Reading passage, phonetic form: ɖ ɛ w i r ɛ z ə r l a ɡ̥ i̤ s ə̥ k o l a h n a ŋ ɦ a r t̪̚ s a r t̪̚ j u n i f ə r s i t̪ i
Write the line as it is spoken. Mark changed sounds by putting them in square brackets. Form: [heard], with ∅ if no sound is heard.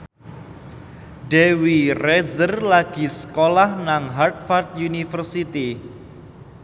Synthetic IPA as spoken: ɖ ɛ w i r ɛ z ə r l a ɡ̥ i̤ s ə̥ k o l a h n a ŋ ɦ a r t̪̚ [f] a r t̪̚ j u n i f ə r s i t̪ i